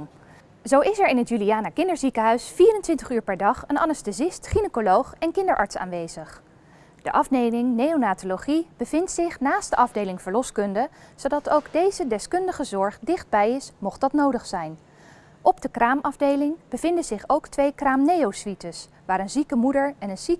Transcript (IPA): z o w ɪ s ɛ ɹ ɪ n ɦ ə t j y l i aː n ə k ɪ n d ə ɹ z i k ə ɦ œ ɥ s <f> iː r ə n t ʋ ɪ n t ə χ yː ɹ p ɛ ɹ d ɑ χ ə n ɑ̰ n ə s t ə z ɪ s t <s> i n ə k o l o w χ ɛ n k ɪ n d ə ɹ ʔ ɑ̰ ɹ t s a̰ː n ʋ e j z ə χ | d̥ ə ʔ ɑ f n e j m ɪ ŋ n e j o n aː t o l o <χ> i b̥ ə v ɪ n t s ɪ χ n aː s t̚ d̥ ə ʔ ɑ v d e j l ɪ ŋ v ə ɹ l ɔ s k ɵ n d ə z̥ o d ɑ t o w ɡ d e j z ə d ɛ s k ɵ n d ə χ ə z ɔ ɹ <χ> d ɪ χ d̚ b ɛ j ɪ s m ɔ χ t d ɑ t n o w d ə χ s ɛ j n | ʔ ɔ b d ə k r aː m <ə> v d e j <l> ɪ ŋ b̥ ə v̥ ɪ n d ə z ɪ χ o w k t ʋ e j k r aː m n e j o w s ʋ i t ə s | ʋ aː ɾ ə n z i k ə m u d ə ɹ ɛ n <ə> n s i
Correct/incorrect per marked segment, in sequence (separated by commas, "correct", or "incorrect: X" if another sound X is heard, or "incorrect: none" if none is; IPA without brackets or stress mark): correct, incorrect: χ, correct, correct, incorrect: ɑ, correct, correct